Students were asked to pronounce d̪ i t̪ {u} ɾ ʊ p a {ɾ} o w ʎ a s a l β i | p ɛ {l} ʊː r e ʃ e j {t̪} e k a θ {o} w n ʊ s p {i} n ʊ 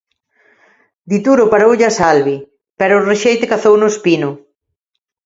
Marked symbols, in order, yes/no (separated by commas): yes, yes, no, yes, yes, yes